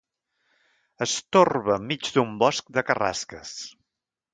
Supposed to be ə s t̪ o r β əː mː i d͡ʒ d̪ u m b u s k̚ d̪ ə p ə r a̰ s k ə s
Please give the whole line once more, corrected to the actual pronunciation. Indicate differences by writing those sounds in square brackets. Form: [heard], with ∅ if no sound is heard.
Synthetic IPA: ə s t̪ o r β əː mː i d͡ʒ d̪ u m b [ɔ] s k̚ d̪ ə [k] ə r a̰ s k ə s